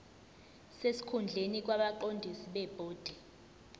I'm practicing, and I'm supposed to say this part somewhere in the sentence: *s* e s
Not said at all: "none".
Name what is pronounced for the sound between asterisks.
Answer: s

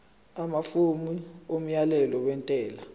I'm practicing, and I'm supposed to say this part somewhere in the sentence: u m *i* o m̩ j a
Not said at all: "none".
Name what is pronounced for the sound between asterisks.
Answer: i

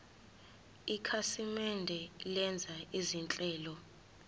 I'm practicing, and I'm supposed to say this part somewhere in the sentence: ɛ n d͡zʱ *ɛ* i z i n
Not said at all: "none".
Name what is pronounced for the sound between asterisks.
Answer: a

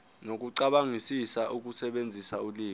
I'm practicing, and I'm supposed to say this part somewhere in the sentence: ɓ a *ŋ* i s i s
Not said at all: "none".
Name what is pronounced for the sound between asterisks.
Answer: ŋ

